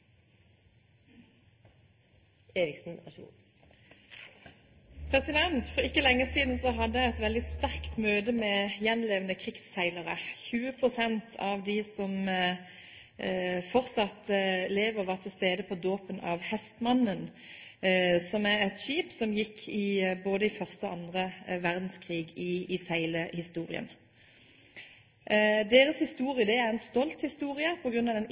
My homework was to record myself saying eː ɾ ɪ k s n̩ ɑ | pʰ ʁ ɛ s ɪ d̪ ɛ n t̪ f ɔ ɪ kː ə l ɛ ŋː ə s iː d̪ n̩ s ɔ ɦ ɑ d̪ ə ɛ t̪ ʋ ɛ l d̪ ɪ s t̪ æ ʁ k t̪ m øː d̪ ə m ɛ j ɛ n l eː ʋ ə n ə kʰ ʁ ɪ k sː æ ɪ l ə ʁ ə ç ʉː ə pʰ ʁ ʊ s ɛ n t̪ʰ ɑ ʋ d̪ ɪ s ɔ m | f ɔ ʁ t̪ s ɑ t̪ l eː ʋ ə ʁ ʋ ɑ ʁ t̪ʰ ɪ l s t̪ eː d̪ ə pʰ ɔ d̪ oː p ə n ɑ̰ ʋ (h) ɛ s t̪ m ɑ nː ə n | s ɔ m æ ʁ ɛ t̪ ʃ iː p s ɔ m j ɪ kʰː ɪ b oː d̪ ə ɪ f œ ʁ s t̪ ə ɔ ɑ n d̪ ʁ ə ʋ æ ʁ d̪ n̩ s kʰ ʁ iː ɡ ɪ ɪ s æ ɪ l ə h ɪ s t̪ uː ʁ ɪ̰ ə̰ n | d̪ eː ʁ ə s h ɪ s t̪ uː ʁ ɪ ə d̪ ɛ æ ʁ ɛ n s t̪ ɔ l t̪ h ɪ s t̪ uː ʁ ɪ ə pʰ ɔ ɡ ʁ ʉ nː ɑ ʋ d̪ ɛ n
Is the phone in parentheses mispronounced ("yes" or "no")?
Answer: no